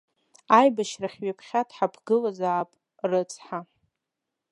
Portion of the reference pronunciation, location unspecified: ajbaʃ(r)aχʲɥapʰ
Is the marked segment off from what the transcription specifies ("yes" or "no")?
no